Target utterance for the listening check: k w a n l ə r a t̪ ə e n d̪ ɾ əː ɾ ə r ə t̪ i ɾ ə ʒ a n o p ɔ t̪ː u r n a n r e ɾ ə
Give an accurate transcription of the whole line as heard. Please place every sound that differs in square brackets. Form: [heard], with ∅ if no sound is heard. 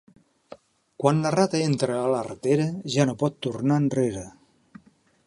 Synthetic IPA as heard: k w a n l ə r a t̪ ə e n [t̪] ɾ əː [l] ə r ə t̪ [e] ɾ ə ʒ a n o p ɔ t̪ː u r n a n r e ɾ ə